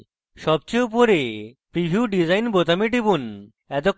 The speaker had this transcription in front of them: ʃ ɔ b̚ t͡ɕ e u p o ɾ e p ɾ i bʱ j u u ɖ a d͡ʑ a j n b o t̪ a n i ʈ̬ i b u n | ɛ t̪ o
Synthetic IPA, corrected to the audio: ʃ ɔ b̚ t͡ɕ e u p o ɾ e p ɾ i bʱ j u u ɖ i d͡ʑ a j n b o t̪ a m i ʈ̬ i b u n | ɛ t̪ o